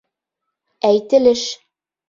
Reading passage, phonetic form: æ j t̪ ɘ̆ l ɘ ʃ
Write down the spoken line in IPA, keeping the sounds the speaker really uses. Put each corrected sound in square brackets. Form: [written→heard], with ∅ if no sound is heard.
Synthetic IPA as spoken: æ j t̪ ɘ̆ l ɘ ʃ